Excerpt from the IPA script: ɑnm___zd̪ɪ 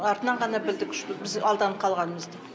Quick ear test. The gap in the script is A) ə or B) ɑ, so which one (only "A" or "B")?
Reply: A